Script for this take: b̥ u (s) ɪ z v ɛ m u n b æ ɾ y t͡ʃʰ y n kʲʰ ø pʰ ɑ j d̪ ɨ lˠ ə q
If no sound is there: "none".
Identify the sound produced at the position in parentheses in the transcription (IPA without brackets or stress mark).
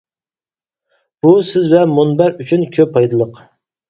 s